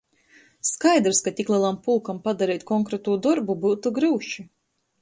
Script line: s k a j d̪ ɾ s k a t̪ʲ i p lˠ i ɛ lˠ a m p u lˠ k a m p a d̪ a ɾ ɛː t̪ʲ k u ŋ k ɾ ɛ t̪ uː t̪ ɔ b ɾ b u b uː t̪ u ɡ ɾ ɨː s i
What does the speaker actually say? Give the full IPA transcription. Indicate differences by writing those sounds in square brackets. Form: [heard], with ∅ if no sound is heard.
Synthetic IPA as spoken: s k a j d̪ ɾ s k a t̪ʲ i [k] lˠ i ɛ lˠ a m p u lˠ k a m p a d̪ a ɾ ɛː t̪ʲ k [ɔ] ŋ k ɾ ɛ t̪ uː [d̪] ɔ [∅] ɾ b u b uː t̪ u ɡ ɾ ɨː [ʃ] i